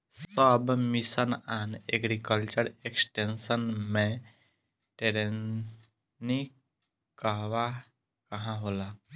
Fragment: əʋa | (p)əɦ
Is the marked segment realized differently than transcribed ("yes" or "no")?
yes